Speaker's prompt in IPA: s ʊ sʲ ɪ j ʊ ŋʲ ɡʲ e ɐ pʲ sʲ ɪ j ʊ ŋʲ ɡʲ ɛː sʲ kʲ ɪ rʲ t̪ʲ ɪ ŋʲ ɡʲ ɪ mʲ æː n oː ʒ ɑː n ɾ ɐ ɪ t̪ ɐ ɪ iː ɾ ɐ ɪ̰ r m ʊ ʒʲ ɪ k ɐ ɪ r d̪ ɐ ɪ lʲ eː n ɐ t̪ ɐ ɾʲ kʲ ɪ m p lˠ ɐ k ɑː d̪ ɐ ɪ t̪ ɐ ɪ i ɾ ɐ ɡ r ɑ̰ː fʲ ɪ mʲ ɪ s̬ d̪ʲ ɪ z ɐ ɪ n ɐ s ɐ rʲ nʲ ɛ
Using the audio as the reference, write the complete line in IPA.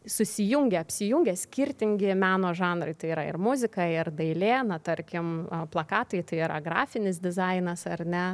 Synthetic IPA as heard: s ʊ sʲ ɪ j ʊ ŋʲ ɡʲ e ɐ pʲ sʲ ɪ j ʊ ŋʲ ɡʲ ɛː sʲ kʲ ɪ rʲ t̪ʲ ɪ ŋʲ ɡʲ ɪ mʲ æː n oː ʒ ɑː n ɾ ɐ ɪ t̪ ɐ ɪ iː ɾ ɐ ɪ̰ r m ʊ zʲ ɪ k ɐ ɪ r d̪ ɐ ɪ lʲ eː n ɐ t̪ ɐ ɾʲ kʲ ɪ m p lˠ ɐ k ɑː t̪ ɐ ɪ t̪ ɐ ɪ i ɾ ɐ ɡ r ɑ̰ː fʲ ɪ nʲ ɪ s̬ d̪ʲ ɪ z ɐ ɪ n ɐ s ɐ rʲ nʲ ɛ